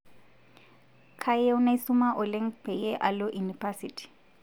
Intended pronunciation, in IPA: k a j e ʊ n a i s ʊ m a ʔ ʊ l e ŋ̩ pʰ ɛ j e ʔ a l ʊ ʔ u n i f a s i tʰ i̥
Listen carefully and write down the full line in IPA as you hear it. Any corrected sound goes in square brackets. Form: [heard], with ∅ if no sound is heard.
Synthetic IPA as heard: [kʰ] a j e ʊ n a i s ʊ m a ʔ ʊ l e ŋ̩ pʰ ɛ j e ʔ a l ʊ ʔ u n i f a s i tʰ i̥

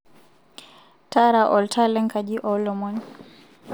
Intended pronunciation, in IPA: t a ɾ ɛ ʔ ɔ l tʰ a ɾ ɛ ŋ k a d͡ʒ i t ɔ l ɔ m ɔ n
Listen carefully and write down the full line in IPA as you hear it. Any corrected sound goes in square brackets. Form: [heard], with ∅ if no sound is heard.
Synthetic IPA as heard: t a ɾ [a] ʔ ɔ l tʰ a [l] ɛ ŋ k a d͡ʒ i [ʔ] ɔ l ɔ m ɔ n

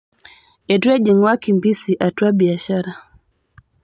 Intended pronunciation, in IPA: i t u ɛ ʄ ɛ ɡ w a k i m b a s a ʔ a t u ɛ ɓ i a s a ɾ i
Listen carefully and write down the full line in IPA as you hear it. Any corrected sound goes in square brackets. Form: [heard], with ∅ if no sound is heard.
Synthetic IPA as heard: [ɛ] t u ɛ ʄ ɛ [ŋ] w a k i m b [i] s [i] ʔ a t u [a] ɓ i a [ʃ] a ɾ [a]

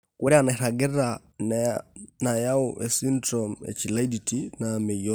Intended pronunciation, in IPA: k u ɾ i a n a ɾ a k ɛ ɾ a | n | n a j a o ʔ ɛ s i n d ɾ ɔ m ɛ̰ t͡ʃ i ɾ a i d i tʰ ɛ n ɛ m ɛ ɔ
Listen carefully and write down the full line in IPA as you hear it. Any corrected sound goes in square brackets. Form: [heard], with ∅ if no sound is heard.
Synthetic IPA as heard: k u ɾ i a n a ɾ a [ɡ] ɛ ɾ a | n | n a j a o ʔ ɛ s i n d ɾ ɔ m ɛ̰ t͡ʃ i [l] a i d i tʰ [i] n [a] m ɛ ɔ

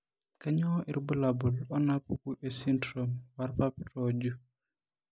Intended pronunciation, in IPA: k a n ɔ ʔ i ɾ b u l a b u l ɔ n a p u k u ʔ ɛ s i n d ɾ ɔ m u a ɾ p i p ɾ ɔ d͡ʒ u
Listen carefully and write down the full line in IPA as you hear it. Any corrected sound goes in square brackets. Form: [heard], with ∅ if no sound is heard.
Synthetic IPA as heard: k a [ɲ] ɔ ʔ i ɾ b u l a b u l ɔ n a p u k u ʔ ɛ s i n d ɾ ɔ m [w] a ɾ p [a] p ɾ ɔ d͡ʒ u

